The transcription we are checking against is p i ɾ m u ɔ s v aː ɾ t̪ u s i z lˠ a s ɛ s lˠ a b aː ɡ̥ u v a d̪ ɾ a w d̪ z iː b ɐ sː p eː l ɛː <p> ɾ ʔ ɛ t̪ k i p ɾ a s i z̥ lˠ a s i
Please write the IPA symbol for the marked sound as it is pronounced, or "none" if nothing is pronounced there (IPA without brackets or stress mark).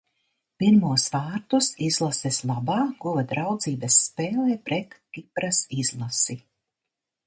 p